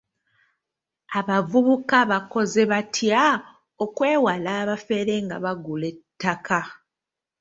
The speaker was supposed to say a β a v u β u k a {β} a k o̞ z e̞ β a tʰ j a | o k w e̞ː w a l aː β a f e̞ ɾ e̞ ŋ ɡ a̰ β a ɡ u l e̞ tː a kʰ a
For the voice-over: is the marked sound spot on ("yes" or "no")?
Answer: yes